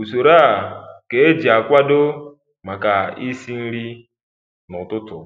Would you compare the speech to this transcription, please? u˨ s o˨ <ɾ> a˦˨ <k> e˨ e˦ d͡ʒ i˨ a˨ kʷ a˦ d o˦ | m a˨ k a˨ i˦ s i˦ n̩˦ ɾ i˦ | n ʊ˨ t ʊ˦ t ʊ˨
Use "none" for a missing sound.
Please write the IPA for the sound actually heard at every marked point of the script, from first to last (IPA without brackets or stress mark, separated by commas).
ɾ, k